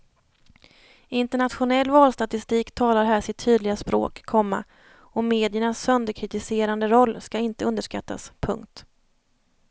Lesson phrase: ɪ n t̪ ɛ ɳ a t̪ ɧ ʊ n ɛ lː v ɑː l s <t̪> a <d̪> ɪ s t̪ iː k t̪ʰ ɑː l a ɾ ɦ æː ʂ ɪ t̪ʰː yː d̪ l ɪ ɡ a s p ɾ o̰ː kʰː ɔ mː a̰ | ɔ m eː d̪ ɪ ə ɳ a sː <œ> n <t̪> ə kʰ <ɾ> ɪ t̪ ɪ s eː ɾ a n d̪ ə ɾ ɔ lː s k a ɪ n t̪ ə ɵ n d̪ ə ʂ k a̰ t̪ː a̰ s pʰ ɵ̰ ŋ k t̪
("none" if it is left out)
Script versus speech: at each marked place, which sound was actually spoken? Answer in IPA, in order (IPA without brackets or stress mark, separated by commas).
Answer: t̪, t̪, œ, d̪, ɾ